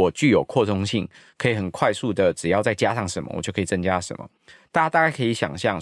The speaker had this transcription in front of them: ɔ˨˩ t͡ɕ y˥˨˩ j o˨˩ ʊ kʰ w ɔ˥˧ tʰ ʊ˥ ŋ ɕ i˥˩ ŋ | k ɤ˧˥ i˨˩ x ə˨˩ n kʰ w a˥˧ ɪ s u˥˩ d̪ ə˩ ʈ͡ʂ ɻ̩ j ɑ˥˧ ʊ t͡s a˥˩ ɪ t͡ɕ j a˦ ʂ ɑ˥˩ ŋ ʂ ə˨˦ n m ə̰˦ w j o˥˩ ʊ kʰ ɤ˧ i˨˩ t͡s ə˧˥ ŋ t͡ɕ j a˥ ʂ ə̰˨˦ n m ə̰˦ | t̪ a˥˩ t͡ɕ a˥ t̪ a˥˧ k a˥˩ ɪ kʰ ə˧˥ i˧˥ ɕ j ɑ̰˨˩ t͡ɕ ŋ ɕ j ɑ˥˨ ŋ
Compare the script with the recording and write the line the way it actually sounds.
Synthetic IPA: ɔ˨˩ t͡ɕ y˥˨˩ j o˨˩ ʊ kʰ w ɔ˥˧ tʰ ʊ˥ ŋ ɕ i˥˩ ŋ | kʰ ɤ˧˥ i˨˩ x ə˨˩ n kʰ w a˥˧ ɪ s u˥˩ d̪ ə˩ ʈ͡ʂ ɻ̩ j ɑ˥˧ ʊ t͡s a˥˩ ɪ t͡ɕ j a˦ ʂ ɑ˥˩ ŋ ʂ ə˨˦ n m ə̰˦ w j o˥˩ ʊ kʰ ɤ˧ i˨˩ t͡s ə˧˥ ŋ t͡ɕ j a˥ ʂ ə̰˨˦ n m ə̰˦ | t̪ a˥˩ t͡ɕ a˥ t̪ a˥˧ k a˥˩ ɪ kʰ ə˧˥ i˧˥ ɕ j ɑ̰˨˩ ŋ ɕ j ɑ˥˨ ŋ